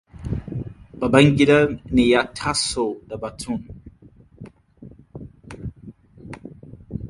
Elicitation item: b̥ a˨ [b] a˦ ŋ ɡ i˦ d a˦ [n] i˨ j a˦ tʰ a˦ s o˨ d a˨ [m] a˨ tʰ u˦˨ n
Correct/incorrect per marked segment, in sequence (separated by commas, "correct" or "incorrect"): correct, correct, incorrect